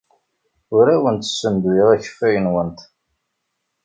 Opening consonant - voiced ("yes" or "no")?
yes